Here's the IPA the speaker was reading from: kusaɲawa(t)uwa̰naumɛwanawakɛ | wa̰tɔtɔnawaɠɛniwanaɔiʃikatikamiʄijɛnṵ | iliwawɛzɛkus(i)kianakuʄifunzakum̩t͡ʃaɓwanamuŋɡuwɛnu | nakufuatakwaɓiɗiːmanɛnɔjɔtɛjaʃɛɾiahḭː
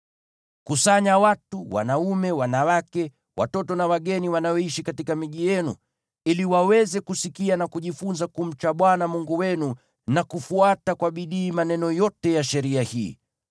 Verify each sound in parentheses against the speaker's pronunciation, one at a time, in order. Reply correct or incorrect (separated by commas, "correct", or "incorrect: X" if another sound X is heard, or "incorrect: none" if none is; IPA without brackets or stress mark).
correct, correct